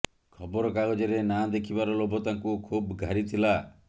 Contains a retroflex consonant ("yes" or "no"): no